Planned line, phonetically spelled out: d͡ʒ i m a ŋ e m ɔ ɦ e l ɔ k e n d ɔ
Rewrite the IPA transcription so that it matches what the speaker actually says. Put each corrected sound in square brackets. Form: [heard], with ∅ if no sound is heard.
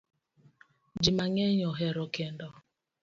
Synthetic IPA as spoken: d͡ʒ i m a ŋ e [ɲ] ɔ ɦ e [ɾ] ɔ k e n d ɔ

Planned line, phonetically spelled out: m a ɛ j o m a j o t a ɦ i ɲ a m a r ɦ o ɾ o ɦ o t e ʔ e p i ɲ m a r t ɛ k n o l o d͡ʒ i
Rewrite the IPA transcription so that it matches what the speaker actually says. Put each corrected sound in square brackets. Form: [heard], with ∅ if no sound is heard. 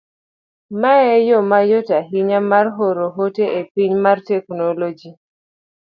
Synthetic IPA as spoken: m a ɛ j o m a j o t a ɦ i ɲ a m a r ɦ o ɾ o ɦ o t e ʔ e p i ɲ m a r t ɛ k n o l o d͡ʒ i

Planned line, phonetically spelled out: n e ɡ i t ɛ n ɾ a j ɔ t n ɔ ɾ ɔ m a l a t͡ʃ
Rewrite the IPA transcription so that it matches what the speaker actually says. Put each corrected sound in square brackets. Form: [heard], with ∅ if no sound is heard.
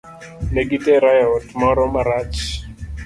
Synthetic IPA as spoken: n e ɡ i t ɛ [∅] ɾ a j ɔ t [m] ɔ ɾ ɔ m a [ɾ] a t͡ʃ

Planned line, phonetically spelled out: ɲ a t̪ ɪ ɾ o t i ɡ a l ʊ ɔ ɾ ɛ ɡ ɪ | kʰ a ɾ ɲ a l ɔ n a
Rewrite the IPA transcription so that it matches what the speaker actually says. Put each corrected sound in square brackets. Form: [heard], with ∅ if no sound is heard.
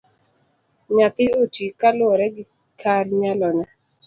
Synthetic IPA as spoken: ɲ a t̪ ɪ [∅] o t i [k] a l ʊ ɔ ɾ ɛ ɡ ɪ | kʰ a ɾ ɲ a l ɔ n a

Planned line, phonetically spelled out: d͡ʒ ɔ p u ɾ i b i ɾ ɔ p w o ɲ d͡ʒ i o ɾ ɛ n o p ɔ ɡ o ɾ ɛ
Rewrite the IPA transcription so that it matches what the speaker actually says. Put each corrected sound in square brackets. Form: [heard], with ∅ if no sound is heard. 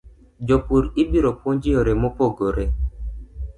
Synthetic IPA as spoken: d͡ʒ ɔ p u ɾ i b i ɾ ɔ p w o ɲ d͡ʒ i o ɾ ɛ [m] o p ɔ ɡ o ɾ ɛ

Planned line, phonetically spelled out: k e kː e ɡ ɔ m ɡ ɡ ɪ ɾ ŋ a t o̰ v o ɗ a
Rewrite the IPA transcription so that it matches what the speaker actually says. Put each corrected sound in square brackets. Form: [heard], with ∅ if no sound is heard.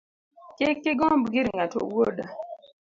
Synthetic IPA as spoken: k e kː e ɡ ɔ m [b] ɡ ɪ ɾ ŋ a t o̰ [w] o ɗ a

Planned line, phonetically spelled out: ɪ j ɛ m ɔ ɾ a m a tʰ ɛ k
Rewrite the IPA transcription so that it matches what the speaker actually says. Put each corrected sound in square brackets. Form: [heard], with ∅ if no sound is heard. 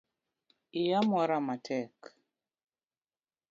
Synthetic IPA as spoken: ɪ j [a] m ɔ ɾ a m a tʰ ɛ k

